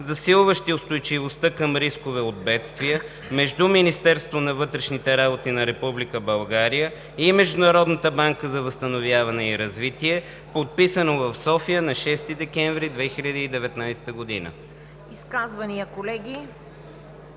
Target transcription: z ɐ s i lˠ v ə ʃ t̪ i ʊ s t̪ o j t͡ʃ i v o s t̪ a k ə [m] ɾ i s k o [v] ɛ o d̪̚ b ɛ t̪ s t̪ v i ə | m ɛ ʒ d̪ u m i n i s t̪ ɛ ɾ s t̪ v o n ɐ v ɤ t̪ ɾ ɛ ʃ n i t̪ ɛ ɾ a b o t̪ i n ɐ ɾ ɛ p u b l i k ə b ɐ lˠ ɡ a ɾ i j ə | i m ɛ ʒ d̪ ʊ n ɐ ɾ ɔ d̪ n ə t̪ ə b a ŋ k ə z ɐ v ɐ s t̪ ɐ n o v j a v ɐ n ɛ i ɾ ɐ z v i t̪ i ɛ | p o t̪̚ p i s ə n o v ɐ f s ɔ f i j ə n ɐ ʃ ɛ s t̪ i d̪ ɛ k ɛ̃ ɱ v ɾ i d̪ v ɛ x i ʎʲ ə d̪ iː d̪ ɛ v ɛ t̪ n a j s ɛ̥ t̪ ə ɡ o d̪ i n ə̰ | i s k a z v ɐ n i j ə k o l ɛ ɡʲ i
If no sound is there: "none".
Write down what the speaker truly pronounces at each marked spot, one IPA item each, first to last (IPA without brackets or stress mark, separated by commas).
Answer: m, v